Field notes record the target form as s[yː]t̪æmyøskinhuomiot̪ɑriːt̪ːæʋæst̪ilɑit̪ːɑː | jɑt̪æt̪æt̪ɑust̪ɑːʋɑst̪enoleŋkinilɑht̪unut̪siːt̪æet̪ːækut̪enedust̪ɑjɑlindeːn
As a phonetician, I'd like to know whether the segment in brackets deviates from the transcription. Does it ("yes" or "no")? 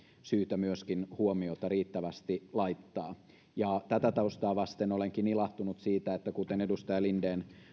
no